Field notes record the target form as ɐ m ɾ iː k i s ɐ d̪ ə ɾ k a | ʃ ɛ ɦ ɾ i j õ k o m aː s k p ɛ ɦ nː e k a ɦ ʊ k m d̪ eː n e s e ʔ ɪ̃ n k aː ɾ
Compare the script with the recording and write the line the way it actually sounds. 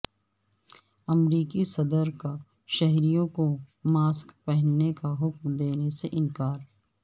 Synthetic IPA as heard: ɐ m ɾ iː k i s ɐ d̪ ə ɾ k a | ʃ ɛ ɦ ɾ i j õ k o m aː s k p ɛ ɦ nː e k a ɦ ʊ k m d̪ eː n e s e ʔ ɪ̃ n k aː ɾ